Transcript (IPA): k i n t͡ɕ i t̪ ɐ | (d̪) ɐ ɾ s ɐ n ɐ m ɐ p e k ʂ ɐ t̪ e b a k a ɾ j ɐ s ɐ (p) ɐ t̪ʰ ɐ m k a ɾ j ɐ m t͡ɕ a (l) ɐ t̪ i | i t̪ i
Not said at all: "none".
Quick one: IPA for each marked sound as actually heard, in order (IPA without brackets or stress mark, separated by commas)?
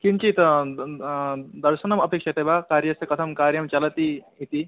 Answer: d̪, k, l